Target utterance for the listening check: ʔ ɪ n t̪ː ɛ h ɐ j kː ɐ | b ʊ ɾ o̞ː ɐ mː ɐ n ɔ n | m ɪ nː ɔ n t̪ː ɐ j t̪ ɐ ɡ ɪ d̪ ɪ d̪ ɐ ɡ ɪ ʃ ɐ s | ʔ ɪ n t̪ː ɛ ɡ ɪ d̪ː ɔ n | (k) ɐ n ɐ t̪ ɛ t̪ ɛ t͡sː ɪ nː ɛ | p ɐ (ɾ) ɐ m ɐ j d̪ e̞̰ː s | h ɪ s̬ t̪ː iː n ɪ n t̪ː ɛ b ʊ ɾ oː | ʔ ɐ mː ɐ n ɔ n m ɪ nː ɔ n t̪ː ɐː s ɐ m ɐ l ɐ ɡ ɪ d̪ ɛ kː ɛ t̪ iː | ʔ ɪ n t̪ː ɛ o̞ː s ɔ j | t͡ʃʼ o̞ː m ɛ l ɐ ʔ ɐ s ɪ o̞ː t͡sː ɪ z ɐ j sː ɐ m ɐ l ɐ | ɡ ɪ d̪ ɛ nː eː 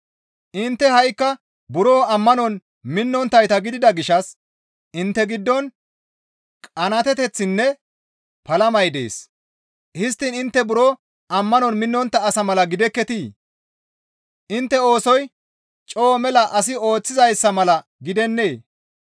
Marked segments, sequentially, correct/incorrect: incorrect: kʼ, incorrect: l

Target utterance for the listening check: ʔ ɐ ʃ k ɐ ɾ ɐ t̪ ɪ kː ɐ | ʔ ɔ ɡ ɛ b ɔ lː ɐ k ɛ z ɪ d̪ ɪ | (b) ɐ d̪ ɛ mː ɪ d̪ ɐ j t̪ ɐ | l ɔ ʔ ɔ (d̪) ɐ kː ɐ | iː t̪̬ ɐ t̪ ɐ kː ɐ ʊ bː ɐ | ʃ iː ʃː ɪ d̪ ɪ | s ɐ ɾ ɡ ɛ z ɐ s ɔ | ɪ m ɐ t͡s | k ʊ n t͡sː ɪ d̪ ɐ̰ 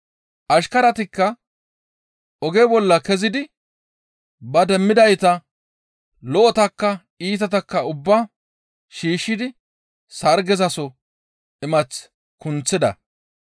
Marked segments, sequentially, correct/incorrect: correct, incorrect: t̪

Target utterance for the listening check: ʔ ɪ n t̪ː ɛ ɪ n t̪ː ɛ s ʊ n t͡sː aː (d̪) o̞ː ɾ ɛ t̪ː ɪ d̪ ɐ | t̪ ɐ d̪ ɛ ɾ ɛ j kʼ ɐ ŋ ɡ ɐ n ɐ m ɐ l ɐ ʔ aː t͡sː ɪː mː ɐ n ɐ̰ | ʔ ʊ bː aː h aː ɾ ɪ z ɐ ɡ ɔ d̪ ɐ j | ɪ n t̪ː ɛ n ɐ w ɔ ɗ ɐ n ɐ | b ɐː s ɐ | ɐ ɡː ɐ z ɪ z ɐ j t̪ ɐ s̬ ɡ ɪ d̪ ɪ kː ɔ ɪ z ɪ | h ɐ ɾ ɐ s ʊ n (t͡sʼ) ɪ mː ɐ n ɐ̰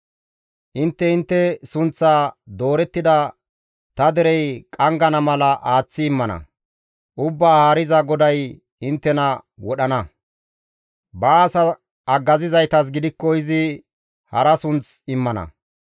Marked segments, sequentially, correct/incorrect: correct, incorrect: t͡s

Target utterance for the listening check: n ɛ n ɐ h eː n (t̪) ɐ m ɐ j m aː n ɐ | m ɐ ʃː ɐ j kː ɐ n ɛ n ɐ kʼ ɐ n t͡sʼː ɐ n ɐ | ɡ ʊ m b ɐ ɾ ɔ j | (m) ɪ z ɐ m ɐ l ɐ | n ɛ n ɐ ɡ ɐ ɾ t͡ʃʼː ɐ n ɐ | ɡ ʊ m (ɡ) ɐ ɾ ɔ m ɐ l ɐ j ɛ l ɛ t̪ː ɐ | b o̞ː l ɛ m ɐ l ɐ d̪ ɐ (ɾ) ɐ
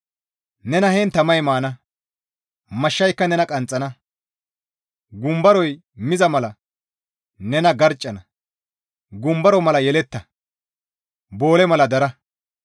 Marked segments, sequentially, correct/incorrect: correct, correct, incorrect: b, correct

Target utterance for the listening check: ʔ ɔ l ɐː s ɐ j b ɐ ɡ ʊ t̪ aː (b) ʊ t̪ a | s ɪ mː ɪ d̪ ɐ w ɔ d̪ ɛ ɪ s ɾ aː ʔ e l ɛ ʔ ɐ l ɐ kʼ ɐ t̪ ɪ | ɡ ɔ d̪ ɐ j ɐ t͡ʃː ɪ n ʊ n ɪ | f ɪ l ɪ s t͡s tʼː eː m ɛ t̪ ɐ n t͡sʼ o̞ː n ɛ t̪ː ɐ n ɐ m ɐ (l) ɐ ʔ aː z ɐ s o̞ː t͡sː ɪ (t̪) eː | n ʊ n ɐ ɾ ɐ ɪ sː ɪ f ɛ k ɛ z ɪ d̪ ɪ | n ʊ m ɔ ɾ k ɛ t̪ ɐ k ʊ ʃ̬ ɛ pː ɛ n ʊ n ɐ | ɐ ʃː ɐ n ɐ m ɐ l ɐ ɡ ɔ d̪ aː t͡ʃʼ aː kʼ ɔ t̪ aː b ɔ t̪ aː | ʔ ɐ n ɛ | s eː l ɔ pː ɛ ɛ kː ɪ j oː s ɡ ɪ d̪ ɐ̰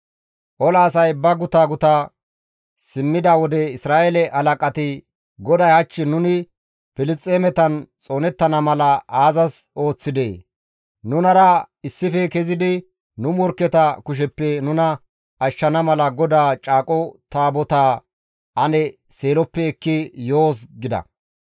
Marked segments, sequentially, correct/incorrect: incorrect: ɡ, correct, incorrect: d̪

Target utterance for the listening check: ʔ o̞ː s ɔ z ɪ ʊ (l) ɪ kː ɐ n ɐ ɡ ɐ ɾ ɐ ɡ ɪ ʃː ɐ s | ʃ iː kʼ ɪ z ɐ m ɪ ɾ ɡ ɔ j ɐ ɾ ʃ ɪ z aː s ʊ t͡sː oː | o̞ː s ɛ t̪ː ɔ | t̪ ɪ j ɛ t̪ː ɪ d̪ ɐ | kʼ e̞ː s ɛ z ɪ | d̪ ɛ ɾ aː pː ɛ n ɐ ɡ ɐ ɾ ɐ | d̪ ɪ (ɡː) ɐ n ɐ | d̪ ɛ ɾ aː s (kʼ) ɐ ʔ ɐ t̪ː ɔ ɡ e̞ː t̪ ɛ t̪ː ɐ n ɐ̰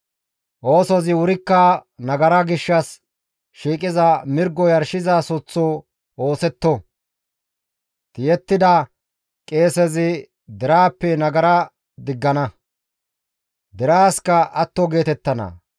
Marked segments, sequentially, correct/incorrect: incorrect: ɾ, correct, incorrect: k

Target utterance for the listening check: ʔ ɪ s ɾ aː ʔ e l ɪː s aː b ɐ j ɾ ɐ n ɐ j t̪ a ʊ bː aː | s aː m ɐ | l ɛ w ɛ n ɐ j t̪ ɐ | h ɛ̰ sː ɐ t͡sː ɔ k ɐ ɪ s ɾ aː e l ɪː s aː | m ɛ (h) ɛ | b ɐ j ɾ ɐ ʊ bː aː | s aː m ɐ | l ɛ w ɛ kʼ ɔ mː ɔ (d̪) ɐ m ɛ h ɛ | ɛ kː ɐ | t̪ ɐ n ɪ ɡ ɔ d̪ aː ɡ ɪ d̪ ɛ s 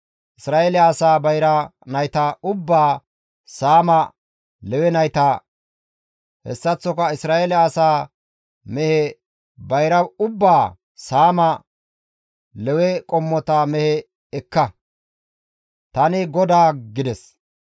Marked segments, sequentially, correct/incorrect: correct, incorrect: t̪

